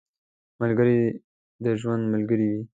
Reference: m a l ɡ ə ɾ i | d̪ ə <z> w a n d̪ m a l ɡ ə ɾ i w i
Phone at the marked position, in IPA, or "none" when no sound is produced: ʒ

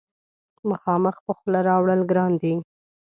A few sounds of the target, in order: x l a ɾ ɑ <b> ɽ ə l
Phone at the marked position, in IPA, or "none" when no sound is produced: w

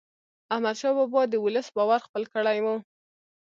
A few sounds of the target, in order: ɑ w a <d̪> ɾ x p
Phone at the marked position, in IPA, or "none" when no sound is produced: none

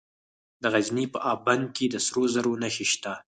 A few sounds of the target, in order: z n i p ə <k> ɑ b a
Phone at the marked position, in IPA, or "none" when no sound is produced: ʔ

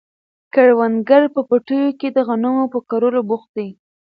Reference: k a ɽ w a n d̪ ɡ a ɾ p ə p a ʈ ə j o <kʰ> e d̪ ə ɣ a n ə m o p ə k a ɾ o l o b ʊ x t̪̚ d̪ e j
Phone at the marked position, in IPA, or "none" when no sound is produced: k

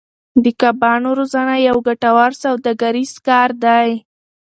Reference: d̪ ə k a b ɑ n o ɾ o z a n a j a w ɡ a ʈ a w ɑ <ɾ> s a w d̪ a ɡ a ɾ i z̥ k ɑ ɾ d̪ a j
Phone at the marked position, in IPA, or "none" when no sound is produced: ɾ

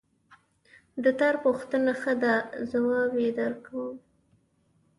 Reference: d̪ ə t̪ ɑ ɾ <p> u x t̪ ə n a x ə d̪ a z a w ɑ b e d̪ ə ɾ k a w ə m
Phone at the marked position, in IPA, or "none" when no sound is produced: p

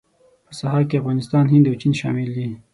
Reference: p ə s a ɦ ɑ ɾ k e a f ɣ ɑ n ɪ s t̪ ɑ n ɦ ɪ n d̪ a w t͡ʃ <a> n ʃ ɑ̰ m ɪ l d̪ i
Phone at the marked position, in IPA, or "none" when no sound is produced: i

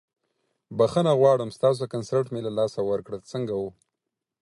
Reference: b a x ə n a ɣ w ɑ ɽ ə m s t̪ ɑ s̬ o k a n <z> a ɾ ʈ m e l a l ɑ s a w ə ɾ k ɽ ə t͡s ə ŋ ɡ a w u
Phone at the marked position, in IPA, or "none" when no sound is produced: s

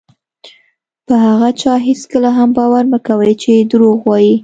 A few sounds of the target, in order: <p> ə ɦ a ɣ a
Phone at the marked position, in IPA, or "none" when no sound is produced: p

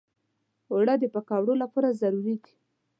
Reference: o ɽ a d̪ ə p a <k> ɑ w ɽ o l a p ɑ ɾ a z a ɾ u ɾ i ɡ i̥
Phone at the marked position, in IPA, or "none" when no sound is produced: k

